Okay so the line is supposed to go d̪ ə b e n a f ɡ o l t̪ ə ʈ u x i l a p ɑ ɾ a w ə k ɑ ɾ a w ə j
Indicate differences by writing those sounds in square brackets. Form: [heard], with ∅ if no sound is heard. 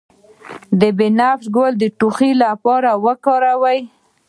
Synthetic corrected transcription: d̪ ə b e n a f ɡ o l [d̪] ə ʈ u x i l a p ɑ ɾ a w ə k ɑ ɾ a w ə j